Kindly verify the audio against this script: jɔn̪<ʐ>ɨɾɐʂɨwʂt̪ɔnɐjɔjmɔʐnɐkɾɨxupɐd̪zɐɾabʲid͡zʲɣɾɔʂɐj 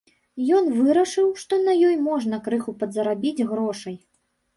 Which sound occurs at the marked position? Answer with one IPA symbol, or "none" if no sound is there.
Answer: v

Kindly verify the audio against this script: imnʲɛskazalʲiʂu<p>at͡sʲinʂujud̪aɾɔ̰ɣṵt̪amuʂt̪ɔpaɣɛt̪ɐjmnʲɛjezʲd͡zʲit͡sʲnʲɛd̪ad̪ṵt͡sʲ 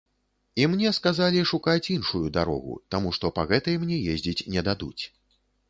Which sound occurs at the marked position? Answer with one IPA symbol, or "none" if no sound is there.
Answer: k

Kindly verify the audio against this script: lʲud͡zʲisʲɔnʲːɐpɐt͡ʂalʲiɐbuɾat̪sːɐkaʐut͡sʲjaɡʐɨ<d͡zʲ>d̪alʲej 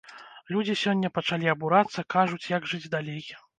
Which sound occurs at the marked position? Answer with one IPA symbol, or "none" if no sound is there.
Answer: d͡zʲ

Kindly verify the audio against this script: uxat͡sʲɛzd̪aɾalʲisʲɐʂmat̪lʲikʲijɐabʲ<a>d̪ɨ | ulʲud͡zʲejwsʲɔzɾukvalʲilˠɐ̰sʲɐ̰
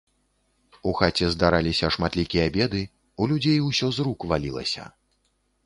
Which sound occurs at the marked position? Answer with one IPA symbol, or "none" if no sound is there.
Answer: ɛ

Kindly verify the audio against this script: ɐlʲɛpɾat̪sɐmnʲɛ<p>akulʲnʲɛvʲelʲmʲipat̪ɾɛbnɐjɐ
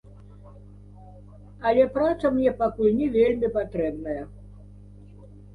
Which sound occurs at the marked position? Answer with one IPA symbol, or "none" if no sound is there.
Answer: p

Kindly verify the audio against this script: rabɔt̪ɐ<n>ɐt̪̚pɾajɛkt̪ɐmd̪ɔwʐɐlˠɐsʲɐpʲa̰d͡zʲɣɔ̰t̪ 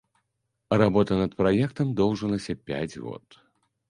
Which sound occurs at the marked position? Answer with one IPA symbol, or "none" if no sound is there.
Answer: n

